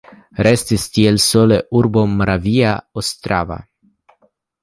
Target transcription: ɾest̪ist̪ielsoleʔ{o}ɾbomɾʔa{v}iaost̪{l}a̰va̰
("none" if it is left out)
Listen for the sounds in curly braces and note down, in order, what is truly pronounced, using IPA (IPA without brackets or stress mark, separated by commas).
u, v, ɾ